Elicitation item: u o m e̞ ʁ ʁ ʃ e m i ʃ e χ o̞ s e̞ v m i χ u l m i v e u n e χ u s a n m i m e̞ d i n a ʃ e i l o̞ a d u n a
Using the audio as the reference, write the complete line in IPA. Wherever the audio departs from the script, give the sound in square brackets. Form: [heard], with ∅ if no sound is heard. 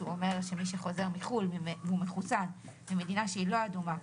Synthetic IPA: u o m e̞ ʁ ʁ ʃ e m i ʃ e χ o̞ [z] e̞ [ʁ] m i χ u l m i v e u [m] e χ u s a n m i m e̞ d i n a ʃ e i l o̞ a d u [m] a

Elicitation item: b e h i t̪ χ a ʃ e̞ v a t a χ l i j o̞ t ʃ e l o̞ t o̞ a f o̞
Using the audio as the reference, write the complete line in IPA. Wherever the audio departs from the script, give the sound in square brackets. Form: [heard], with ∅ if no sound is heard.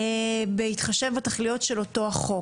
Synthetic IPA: b e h i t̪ χ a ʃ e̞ v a t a χ l i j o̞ t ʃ e l o̞ t o̞ a [χ] o̞

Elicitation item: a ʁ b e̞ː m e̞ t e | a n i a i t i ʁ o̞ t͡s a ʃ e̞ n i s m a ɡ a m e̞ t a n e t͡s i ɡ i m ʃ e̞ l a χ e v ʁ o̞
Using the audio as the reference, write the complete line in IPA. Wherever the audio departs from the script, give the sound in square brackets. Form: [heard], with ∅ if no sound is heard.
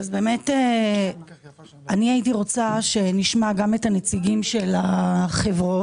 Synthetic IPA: a [z] b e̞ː m e̞ t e | a n i a i t i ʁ o̞ t͡s a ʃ e̞ n i [ʃ] m a ɡ a m e̞ t a n e t͡s i ɡ i m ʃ e̞ l a χ e v ʁ o̞

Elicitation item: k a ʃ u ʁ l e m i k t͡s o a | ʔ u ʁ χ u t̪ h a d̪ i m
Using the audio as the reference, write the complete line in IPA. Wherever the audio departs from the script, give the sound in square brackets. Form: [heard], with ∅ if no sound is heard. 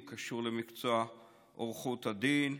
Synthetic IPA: k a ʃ u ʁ l e m i k t͡s o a | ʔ [o] ʁ χ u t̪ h a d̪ i [n]

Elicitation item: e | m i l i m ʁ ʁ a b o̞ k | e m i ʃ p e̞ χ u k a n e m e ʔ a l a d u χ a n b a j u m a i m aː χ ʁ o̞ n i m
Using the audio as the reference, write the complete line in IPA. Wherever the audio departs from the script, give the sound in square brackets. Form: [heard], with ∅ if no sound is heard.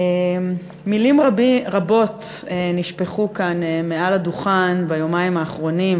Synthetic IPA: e | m i l i m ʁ ʁ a b o̞ [t] | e [n] i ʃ p e̞ χ u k a n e m e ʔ a l a d u χ a n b a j [o] m a i m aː χ ʁ o̞ n i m

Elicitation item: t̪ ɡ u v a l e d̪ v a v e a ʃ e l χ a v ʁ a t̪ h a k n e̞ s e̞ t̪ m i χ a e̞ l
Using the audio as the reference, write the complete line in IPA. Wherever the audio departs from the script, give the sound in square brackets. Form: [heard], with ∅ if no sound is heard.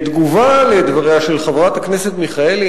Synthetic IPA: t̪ ɡ u v a l e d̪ v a [ʁ] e a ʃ e l χ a v ʁ a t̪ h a k n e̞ s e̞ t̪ m i χ a e̞ l

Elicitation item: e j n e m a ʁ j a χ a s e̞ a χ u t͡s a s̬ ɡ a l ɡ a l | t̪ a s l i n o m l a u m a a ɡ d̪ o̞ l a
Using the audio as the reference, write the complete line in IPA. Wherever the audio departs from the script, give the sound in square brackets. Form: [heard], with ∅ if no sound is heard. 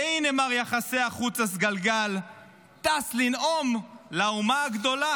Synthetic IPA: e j n e m a ʁ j a χ a s e̞ a χ u t͡s a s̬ ɡ a l ɡ a l | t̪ a s l i n o m l a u m a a ɡ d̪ o̞ l a

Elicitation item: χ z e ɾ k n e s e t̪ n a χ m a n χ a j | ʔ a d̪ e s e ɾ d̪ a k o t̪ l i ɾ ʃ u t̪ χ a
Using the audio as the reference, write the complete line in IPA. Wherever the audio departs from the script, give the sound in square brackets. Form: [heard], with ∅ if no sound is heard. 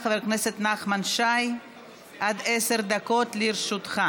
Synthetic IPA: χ [v] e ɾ k n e s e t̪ n a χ m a n [ʃ] a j | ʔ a d̪ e s e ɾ d̪ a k o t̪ l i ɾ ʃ u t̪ χ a

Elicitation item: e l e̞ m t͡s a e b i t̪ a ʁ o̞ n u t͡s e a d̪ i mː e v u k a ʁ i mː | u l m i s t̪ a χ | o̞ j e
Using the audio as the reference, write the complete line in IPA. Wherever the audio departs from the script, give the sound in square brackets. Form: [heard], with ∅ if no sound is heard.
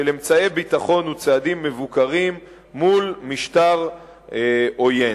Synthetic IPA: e l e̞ m t͡s a e b i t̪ a [χ] o̞ n u t͡s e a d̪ i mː e v u k a ʁ i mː | u l m i [ʃ] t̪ a [ʁ] | o̞ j e

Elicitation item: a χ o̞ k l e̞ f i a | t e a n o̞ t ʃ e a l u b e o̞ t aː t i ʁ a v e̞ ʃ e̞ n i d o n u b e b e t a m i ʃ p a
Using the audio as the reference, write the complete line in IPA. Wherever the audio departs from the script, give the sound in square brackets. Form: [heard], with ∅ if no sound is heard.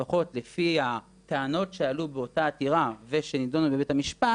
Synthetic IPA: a χ o̞ [t] l e̞ f i a | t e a n o̞ t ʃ e a l u b e o̞ t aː t i ʁ a v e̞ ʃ e̞ n i d o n u b e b e t a m i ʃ p a

